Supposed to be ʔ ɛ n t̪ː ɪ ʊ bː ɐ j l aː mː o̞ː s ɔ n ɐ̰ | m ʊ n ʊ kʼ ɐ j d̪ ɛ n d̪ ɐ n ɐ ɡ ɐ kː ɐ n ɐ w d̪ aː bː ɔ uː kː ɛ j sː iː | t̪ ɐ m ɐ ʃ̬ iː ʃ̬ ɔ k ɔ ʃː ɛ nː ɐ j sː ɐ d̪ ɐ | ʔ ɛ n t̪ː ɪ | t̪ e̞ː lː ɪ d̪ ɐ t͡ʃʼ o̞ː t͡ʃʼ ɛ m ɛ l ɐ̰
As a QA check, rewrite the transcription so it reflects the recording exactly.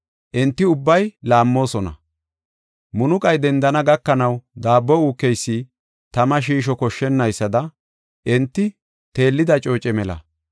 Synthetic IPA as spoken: ʔ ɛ n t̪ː ɪ ʊ bː ɐ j l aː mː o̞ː s ɔ n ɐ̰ | m ʊ n ʊ kʼ ɐ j d̪ ɛ n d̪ ɐ n ɐ ɡ ɐ kː ɐ n ɐ w d̪ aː bː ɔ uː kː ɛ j sː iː | t̪ ɐ m ɐ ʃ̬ iː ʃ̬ ɔ k ɔ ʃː ɛ nː ɐ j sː ɐ d̪ ɐ | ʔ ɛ n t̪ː ɪ | t̪ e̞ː lː ɪ d̪ ɐ t͡ʃʼ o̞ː t͡ʃʼ ɛ m ɛ l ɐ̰